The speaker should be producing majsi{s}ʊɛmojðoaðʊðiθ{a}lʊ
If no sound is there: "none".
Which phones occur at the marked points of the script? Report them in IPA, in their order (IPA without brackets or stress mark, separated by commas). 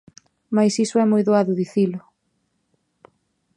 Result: s, i